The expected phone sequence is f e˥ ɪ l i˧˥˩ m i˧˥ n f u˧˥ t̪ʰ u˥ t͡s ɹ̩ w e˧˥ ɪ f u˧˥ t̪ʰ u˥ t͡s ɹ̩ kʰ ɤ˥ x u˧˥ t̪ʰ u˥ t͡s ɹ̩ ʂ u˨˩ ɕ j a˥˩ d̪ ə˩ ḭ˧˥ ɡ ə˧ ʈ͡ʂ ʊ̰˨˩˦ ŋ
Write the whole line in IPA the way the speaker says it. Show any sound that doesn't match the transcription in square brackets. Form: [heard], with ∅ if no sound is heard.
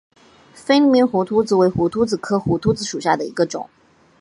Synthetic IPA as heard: f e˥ ɪ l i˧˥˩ m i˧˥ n [x] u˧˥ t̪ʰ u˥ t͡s ɹ̩ w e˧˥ ɪ [x] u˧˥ t̪ʰ u˥ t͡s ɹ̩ kʰ ɤ˥ x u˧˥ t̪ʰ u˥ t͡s ɹ̩ ʂ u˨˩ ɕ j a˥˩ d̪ ə˩ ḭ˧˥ ɡ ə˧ ʈ͡ʂ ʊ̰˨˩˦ ŋ